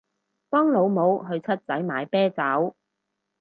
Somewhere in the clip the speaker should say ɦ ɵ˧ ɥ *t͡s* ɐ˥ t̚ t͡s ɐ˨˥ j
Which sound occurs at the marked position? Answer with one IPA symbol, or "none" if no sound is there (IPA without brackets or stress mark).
t͡sʰ